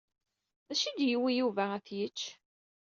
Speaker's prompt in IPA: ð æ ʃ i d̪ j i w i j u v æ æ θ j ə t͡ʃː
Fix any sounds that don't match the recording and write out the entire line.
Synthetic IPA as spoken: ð æ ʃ i d̪ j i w i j u v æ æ θ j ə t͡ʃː